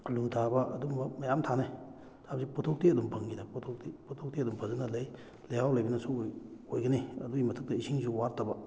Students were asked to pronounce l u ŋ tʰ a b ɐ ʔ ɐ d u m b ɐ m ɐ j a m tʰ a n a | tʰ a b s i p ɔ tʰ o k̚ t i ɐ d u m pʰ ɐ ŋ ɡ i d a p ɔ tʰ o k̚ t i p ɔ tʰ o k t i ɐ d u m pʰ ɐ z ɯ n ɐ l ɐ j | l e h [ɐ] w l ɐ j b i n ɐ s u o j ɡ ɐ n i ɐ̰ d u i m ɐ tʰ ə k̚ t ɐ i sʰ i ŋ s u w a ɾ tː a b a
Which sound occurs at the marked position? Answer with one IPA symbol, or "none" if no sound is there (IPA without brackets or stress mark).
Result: a